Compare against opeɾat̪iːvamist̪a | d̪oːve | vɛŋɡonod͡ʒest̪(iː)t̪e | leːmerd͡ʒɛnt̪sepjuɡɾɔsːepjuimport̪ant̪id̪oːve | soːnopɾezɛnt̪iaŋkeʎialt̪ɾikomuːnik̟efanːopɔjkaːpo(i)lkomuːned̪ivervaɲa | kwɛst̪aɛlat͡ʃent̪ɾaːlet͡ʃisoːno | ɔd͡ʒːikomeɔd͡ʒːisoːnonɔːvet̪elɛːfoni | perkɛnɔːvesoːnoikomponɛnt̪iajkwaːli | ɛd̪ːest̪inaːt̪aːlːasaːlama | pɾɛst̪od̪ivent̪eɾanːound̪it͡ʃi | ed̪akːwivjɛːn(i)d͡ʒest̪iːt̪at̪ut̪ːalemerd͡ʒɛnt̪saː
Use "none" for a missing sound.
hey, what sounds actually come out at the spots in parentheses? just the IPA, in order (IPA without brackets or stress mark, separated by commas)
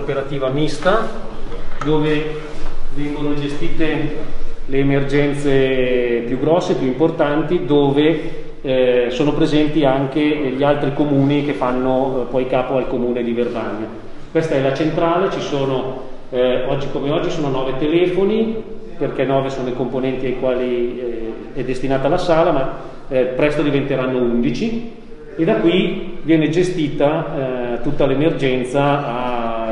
iː, a, e